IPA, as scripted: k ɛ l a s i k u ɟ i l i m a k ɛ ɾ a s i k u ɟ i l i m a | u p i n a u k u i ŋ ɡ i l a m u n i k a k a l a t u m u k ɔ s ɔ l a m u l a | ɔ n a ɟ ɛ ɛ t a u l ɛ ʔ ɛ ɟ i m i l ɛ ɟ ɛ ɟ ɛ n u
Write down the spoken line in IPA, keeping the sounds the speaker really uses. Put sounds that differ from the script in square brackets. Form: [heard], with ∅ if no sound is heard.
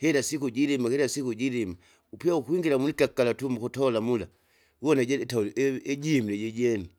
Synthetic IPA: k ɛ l a s i k u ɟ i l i m a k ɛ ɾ a s i k u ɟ i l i m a | u p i [∅] a u k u i ŋ ɡ i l a m u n i k a k a l a t u m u k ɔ [t] ɔ l a m u l a | ɔ n a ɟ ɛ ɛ t a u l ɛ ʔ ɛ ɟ i m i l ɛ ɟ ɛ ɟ ɛ n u